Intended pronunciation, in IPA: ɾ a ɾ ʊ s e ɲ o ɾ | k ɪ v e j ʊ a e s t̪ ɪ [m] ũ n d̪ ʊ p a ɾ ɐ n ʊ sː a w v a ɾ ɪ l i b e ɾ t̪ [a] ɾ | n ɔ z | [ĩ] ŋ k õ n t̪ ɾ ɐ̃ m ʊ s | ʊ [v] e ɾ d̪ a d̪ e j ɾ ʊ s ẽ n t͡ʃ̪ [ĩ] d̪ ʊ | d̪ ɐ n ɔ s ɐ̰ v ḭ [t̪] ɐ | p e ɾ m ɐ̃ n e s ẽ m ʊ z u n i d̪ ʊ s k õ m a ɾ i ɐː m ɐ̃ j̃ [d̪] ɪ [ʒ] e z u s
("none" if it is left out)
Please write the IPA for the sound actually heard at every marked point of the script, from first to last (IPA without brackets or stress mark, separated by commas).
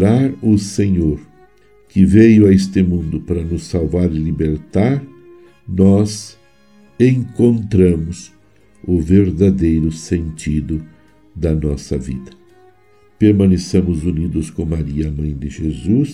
m, a, ẽ, v, i, d̪, d̪, ʒ